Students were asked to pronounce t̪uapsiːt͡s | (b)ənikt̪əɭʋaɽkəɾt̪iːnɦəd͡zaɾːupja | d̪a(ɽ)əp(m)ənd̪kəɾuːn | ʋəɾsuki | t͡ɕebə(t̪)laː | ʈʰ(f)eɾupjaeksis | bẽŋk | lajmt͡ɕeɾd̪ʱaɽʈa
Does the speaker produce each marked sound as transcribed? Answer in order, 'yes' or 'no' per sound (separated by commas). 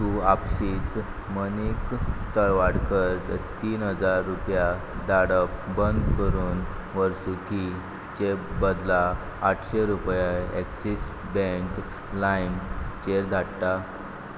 no, yes, no, no, no